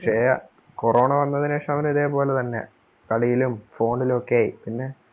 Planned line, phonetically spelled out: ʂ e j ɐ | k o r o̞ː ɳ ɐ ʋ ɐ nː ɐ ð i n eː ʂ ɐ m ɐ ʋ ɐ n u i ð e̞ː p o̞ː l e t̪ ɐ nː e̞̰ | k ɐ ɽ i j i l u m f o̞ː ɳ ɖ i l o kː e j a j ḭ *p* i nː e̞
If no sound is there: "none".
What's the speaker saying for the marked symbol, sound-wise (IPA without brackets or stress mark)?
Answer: p